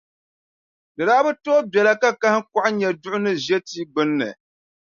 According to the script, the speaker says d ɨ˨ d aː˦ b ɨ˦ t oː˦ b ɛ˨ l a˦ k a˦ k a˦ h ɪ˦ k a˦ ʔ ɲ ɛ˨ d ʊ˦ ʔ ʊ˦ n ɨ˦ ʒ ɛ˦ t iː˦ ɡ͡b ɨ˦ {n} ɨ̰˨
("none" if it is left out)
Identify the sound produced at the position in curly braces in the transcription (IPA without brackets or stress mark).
nː